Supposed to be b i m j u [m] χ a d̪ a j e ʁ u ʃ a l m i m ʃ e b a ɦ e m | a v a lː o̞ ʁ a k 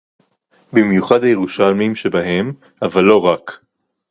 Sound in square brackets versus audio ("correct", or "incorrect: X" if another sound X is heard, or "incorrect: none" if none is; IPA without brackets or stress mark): incorrect: none